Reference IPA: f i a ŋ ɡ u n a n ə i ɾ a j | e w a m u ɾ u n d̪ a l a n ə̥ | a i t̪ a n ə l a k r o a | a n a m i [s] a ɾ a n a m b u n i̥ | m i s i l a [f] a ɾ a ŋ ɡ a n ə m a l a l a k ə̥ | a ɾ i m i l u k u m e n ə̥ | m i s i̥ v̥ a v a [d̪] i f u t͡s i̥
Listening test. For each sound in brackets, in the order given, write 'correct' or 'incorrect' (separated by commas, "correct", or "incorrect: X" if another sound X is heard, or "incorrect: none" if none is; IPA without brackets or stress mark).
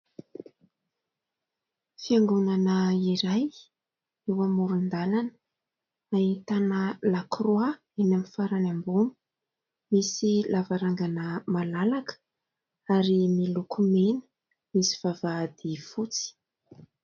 incorrect: f, incorrect: v, correct